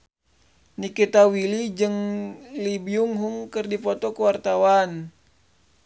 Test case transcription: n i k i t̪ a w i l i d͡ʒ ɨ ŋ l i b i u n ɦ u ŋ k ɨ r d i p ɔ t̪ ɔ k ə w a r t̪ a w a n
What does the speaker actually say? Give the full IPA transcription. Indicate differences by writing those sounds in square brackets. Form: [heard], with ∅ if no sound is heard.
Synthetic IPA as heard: n i k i t̪ a w i l i d͡ʒ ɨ ŋ l i b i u [ŋ] ɦ u ŋ k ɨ r d i p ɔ t̪ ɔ k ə w a r t̪ a w a n